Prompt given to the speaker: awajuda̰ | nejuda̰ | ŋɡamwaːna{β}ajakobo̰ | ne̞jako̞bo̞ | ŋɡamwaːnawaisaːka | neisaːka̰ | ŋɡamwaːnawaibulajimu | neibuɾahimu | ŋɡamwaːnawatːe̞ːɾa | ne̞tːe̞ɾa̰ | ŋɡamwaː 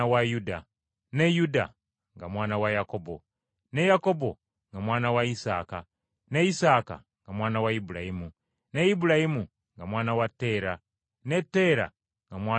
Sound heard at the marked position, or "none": w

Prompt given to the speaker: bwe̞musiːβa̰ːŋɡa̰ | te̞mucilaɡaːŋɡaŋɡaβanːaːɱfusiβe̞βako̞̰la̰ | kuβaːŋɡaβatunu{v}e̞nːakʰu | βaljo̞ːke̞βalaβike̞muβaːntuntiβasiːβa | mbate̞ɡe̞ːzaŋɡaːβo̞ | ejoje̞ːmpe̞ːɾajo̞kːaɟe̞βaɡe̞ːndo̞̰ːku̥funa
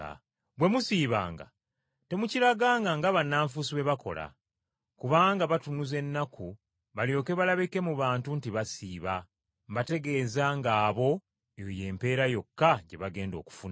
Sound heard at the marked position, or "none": z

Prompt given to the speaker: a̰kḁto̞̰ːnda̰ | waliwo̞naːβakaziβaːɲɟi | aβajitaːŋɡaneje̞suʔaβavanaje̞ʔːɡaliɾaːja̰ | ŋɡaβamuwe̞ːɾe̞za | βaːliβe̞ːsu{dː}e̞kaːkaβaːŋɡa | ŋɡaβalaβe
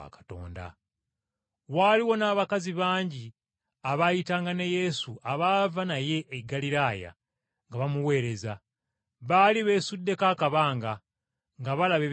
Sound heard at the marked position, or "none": dː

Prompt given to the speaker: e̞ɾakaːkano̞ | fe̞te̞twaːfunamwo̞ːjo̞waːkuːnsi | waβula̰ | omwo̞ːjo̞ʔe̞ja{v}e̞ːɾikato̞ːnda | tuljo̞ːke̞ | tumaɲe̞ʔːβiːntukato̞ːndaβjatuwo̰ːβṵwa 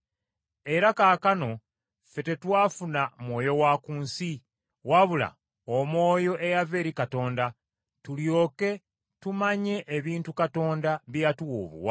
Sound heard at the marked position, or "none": v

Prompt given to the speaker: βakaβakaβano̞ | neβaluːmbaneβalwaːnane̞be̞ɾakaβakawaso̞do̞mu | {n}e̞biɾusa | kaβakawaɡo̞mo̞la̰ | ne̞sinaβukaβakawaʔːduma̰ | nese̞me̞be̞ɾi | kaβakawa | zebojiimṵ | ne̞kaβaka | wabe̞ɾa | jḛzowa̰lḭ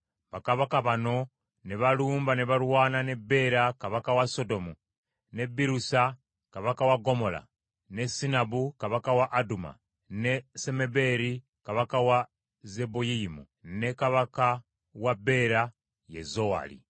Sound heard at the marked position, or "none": n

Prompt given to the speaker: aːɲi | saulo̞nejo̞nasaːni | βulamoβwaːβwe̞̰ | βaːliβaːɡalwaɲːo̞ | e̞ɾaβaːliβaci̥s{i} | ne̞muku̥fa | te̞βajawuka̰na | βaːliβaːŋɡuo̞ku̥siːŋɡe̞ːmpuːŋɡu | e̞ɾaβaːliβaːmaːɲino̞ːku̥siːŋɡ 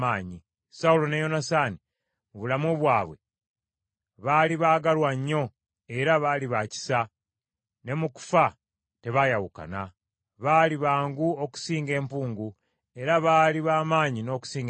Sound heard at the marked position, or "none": a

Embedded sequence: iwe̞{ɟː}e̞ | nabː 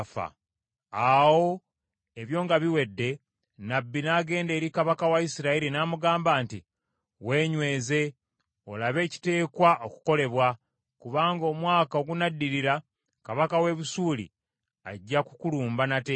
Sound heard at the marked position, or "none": dː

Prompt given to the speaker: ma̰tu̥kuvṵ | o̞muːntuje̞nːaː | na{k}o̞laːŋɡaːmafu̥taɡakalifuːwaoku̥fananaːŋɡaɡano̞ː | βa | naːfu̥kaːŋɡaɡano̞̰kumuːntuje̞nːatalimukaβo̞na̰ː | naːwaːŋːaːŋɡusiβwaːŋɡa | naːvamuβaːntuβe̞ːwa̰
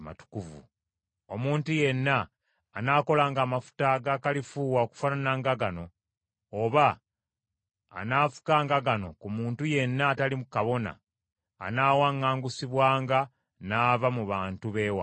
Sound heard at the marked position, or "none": k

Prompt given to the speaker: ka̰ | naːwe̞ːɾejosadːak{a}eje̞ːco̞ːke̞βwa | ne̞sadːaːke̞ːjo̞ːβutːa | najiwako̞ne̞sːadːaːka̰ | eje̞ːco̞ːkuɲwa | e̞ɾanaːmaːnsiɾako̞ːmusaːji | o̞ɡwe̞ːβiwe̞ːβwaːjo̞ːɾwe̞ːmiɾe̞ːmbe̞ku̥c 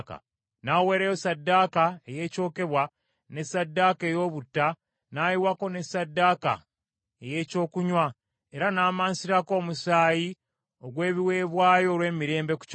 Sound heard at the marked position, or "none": a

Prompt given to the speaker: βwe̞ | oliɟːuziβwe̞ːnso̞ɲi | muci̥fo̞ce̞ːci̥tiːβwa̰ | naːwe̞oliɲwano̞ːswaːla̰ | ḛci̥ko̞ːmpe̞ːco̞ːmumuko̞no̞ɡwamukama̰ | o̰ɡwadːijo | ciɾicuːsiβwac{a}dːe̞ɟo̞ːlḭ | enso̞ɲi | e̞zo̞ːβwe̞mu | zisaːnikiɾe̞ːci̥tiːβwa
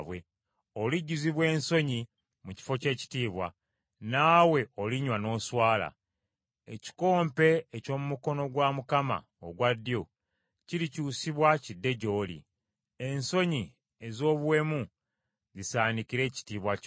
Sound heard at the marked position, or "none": i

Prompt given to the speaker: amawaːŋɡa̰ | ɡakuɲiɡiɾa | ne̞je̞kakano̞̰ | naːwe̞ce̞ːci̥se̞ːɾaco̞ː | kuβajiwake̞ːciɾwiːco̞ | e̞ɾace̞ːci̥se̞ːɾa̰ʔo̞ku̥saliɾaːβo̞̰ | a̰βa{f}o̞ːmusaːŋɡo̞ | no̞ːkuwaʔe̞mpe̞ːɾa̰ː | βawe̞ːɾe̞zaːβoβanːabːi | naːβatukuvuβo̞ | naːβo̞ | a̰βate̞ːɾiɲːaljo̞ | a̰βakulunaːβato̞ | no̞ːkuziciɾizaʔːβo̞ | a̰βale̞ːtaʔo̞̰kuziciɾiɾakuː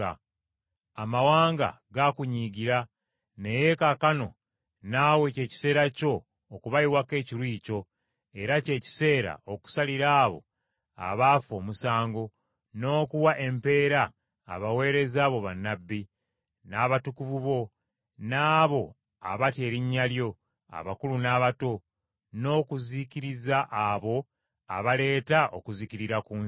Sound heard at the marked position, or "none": f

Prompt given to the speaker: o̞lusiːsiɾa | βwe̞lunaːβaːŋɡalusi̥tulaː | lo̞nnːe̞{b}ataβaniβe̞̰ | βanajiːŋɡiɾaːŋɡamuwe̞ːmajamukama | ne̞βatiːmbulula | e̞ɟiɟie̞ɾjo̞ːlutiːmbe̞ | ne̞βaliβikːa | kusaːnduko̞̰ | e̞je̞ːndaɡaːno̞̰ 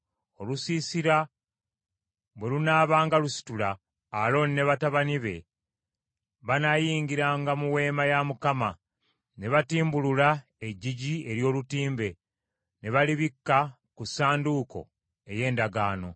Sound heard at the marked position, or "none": β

